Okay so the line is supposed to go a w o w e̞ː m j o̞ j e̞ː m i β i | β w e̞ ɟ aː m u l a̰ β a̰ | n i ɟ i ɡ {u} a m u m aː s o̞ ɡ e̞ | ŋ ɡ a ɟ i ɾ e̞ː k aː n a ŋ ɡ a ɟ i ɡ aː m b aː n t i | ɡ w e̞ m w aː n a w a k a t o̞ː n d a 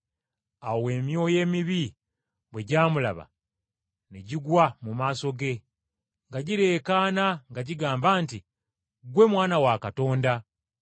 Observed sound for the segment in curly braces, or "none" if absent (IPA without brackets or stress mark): w